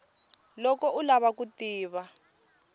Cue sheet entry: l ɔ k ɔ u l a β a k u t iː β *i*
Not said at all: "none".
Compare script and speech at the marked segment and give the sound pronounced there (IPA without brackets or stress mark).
a